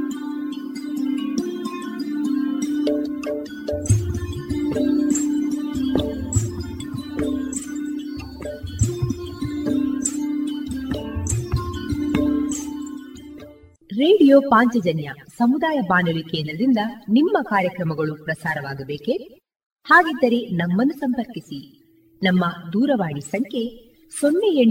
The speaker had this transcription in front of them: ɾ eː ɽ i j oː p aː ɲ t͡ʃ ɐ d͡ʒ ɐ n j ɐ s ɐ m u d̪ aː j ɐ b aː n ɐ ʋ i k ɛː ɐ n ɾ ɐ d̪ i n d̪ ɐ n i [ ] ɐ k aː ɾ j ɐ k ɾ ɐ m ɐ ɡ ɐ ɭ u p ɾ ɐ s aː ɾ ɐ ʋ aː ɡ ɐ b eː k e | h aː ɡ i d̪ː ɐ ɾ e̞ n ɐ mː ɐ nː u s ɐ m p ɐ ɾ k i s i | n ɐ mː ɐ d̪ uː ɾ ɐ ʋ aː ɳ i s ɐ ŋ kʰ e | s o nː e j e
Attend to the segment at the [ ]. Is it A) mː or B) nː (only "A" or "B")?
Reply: A